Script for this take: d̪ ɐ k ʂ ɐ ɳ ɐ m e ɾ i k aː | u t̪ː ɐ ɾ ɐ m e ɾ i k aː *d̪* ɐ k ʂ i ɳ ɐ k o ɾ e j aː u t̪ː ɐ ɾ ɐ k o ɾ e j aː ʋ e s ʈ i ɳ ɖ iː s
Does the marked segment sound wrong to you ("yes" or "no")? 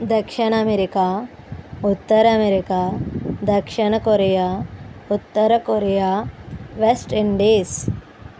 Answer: no